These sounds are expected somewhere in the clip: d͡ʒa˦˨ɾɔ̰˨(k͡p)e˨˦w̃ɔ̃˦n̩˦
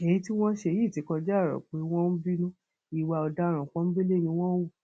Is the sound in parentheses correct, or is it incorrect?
correct